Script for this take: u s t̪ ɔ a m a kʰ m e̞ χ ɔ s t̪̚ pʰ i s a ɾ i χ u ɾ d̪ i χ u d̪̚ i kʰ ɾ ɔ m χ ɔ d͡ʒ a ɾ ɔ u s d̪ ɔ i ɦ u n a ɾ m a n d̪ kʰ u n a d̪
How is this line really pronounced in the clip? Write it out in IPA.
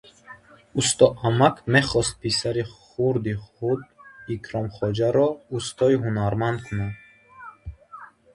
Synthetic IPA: u s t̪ ɔ a m a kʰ m e̞ χ ɔ s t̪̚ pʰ i s a ɾ i χ u ɾ d̪ i χ u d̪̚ i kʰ ɾ ɔ m χ ɔ d͡ʒ a ɾ ɔ u s t̪ ɔ i ɦ u n a ɾ m a n d̪ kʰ u n a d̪